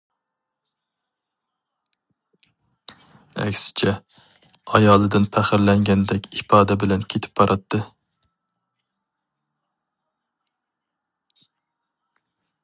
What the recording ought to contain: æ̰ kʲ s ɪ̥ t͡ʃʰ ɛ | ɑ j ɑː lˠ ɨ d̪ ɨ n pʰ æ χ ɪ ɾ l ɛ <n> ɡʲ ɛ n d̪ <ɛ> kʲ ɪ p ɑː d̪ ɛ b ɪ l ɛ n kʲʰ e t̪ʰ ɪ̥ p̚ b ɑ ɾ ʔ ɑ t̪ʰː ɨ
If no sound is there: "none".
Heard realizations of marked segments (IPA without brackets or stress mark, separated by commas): ŋ, ɛ